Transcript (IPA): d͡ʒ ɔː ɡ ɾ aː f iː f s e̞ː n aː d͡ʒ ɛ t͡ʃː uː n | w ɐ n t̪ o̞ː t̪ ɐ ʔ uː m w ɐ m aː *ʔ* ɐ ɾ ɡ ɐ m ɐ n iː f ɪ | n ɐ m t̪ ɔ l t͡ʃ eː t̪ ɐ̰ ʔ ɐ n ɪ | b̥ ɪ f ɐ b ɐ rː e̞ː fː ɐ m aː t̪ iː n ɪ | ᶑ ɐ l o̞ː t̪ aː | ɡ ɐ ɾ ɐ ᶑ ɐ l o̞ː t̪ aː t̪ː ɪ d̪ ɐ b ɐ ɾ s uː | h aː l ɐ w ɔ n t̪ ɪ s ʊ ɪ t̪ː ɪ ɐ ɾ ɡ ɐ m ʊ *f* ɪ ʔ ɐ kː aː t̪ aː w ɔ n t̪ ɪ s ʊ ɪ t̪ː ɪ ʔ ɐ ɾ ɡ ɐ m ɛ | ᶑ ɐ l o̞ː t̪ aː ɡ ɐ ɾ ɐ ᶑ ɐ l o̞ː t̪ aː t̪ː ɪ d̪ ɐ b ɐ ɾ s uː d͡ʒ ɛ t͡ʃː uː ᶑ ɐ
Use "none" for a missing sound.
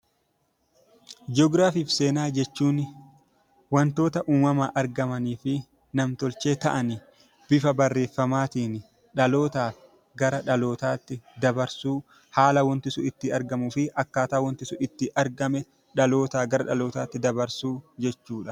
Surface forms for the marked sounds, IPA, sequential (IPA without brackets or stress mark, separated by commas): ʔ, f